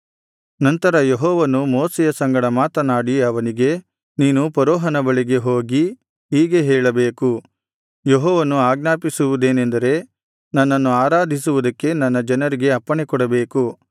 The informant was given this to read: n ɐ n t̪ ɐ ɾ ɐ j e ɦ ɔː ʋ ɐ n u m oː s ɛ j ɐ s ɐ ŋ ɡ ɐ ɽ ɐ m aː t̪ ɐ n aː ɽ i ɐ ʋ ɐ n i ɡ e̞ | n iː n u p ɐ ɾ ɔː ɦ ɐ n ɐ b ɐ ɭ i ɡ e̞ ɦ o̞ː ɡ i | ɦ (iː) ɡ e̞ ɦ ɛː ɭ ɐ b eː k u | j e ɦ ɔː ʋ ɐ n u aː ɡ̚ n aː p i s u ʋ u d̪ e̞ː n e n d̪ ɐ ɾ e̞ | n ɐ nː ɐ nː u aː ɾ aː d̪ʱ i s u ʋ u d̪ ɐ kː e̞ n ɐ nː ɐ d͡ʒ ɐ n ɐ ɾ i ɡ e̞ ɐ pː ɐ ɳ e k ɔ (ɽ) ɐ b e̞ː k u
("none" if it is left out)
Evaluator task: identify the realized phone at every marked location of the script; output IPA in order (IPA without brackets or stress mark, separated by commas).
iː, ɽ